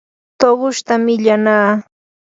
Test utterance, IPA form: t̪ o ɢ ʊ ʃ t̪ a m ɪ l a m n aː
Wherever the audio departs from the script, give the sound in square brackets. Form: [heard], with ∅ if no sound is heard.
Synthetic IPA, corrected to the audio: t̪ o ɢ ʊ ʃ t̪ a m ɪ [ʎ] a [∅] n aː